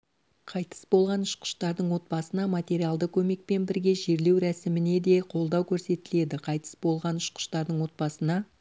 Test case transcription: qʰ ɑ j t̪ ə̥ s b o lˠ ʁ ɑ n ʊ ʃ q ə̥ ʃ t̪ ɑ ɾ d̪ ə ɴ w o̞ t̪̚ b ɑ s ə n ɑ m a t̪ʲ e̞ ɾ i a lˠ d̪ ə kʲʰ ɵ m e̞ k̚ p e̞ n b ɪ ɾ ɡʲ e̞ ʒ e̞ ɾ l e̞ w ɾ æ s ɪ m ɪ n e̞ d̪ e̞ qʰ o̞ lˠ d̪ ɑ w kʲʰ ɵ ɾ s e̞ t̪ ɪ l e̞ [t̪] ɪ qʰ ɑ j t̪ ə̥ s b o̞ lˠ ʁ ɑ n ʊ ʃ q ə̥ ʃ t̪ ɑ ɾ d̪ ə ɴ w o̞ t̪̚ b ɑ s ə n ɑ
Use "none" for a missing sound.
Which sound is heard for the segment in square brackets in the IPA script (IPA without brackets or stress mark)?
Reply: d̪